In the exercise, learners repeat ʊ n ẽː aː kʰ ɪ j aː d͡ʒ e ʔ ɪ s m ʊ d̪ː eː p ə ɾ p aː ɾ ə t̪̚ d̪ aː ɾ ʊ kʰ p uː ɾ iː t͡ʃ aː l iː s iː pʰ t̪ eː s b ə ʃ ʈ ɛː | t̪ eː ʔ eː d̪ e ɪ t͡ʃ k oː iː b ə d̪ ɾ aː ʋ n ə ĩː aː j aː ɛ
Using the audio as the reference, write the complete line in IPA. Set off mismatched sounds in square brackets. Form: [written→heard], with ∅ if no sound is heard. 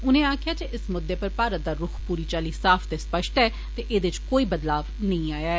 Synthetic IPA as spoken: ʊ n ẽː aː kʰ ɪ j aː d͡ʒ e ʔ ɪ s m ʊ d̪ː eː p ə ɾ p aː ɾ ə t̪̚ d̪ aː ɾ ʊ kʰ p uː ɾ iː t͡ʃ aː l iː s [iː→aː] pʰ t̪ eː s [b→p] ə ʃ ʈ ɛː | t̪ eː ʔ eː d̪ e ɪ t͡ʃ k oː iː b ə d̪ [ɾ→l] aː ʋ n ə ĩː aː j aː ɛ